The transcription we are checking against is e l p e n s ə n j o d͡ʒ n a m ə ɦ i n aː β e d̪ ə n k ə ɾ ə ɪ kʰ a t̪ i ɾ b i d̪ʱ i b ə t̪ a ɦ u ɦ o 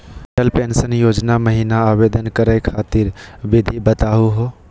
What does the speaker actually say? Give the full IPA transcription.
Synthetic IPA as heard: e l p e n s ə n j o d͡ʒ n a m ə ɦ i n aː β e d̪ ə n k ə ɾ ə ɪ kʰ a t̪ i ɾ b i d̪ʱ i b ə t̪ a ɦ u ɦ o